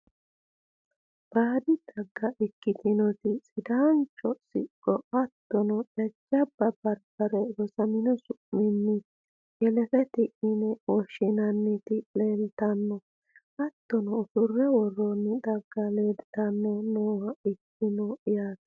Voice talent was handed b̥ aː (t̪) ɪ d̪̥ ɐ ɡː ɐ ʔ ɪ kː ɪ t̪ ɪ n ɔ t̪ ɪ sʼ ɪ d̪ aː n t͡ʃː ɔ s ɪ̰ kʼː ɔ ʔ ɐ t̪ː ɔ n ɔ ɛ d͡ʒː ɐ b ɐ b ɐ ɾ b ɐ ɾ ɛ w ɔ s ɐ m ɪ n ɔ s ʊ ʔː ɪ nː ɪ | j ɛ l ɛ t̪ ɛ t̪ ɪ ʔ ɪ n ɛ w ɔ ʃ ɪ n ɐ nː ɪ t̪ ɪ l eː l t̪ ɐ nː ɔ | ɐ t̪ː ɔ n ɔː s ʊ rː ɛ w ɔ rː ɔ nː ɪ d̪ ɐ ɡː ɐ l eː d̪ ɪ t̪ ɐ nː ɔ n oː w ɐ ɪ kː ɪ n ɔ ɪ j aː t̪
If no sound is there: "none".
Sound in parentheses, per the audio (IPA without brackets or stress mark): d̪